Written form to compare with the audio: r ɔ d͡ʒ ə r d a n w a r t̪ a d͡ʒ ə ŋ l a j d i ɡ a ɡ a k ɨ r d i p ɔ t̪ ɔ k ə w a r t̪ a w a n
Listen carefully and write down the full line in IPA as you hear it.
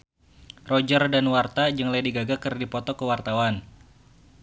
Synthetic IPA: r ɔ d͡ʒ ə r d a n w a r t̪ a d͡ʒ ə ŋ l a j d i ɡ a ɡ a k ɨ r d i p ɔ t̪ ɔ k ə w a r t̪ a w a n